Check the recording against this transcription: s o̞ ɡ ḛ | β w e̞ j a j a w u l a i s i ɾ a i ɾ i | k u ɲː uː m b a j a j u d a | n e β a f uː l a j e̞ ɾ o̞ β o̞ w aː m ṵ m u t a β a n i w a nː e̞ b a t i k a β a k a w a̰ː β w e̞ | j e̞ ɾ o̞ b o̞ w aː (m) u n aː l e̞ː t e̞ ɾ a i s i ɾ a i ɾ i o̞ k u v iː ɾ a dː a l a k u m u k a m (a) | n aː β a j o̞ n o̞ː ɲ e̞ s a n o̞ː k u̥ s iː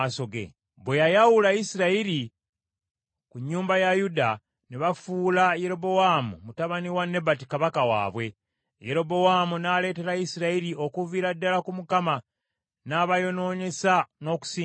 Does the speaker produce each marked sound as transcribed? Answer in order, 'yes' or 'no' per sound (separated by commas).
yes, yes